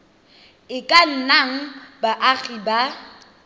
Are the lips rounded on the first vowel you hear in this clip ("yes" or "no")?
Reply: no